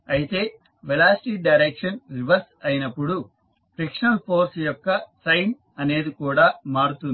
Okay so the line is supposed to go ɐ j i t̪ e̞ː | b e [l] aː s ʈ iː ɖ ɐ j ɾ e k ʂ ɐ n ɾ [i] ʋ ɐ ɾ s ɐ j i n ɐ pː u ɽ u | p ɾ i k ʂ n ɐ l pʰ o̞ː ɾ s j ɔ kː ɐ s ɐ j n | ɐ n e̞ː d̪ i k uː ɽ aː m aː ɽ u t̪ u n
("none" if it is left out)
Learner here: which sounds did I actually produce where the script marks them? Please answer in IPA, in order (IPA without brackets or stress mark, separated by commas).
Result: l, i